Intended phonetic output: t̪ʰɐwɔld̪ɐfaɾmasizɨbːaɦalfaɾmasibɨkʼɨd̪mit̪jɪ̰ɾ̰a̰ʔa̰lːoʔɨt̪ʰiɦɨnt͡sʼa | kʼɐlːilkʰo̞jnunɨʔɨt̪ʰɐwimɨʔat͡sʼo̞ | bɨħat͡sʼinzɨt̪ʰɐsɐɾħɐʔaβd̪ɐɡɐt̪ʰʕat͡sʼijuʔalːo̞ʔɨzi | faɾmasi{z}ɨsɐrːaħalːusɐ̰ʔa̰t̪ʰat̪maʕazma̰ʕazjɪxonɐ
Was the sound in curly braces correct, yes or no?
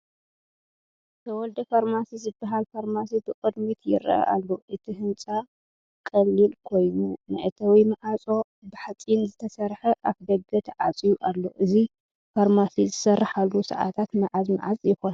yes